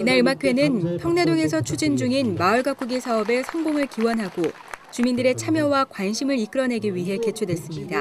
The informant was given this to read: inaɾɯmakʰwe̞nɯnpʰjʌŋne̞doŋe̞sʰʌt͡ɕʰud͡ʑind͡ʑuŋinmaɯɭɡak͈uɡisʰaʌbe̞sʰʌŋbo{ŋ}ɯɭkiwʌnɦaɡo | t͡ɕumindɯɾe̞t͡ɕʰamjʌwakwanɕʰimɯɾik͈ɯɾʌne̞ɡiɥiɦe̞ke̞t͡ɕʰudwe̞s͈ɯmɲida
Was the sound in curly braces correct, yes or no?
yes